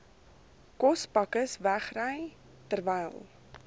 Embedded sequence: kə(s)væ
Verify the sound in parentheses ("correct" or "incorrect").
correct